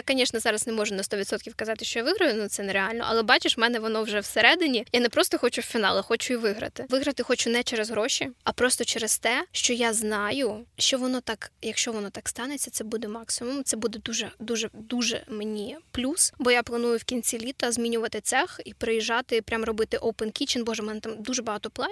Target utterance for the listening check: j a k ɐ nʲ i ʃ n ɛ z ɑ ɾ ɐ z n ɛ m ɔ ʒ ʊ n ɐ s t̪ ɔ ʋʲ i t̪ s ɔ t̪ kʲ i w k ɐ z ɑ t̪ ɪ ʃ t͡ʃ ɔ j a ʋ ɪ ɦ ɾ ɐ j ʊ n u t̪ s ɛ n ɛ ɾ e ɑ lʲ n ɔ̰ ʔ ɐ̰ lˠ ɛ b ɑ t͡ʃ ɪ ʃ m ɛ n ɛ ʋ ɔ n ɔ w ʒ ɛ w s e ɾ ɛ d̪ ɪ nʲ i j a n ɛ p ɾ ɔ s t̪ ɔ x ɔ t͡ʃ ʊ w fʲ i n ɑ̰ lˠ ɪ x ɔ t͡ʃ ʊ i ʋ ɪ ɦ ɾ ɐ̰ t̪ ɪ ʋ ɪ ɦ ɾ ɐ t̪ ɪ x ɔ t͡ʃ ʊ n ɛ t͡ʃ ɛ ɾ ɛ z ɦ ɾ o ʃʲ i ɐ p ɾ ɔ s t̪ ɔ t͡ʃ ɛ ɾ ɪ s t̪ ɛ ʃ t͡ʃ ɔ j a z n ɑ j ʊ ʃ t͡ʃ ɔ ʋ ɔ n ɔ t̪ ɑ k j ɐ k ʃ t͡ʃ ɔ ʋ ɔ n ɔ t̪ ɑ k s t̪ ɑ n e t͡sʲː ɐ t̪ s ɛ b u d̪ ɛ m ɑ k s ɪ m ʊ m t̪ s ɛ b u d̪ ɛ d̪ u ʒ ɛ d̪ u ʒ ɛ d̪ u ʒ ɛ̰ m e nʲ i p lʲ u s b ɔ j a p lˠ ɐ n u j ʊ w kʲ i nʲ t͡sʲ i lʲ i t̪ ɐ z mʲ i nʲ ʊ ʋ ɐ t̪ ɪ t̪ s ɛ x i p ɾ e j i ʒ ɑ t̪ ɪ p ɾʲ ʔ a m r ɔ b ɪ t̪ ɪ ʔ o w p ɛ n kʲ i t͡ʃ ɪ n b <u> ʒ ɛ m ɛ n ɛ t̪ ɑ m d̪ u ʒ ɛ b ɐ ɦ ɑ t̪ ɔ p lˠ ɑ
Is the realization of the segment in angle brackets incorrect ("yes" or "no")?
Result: yes